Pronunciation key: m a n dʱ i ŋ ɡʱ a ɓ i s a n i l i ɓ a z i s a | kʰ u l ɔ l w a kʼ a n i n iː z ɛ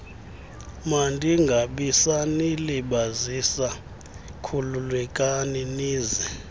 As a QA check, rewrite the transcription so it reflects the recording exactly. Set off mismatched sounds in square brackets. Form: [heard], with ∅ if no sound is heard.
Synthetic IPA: m a n dʱ i ŋ ɡʱ a ɓ i s a n i l i ɓ a z i s a | kʰ u l [u] l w [ɛ] kʼ a n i n iː z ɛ